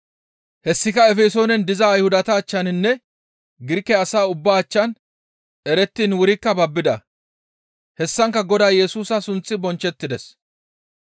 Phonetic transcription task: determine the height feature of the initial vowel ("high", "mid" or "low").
mid